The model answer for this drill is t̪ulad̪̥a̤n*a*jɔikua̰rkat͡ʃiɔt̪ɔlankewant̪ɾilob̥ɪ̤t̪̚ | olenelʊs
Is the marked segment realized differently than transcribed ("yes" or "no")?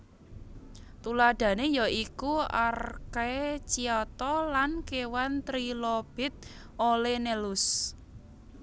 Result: yes